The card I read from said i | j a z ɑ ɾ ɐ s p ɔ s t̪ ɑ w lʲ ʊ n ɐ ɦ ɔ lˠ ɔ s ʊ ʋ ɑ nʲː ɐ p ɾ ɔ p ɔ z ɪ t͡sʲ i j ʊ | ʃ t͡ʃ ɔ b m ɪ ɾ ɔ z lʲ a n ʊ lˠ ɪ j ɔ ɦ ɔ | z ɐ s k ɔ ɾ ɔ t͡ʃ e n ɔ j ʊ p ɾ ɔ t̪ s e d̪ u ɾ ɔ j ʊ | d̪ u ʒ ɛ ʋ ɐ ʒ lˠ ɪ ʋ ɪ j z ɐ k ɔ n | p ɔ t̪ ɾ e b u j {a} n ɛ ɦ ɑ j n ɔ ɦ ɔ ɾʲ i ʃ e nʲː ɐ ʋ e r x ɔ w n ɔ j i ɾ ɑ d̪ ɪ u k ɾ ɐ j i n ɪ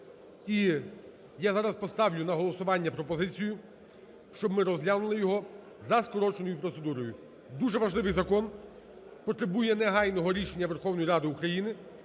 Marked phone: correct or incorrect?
incorrect: ɛ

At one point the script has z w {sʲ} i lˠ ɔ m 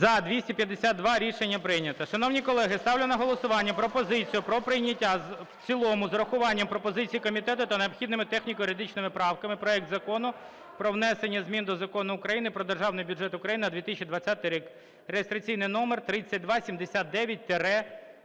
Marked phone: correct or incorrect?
incorrect: t͡sʲ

